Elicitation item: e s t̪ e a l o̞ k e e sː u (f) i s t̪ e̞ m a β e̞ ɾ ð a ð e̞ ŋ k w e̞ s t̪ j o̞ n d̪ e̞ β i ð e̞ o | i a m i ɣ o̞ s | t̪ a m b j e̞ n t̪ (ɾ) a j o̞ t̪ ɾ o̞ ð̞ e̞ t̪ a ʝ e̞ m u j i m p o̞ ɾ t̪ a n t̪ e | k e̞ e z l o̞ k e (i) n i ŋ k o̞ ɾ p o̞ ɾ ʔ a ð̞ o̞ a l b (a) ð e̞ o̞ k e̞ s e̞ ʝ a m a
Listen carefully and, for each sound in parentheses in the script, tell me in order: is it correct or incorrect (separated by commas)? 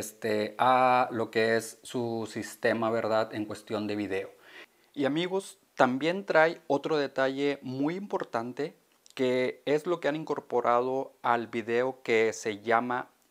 incorrect, correct, incorrect, incorrect